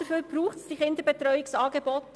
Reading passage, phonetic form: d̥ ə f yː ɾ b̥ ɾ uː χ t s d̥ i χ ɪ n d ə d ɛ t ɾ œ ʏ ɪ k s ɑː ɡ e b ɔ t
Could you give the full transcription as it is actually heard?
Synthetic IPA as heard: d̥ ə f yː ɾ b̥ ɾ uː χ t s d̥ i χ ɪ n d ə b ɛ t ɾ œ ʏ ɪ k s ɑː ɡ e b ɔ t